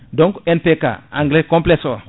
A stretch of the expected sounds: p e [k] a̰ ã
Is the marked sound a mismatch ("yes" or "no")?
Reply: no